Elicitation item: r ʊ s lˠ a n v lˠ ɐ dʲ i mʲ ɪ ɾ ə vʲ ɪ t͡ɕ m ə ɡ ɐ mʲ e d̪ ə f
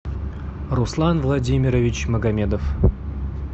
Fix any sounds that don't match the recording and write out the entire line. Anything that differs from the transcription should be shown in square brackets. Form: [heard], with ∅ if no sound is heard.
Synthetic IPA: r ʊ s lˠ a n v lˠ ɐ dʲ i mʲ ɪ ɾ ə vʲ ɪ t͡ɕ m ə ɡ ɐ mʲ e d̪ ə f

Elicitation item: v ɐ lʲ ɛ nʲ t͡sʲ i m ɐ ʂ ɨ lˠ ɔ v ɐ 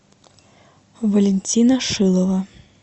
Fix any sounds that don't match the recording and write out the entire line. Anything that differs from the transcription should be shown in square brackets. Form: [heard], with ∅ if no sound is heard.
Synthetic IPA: v ɐ lʲ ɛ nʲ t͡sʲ i [n] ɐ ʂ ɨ lˠ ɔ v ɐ

